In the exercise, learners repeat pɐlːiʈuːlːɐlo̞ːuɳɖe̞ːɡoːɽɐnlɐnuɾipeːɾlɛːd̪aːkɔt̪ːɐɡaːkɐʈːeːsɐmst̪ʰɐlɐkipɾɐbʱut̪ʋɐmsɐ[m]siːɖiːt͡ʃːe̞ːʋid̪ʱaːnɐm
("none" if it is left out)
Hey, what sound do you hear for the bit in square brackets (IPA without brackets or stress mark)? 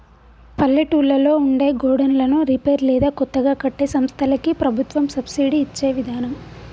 b